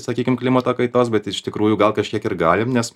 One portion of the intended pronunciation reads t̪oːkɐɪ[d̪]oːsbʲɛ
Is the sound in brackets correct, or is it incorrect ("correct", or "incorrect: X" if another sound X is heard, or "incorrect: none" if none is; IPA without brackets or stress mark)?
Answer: incorrect: t̪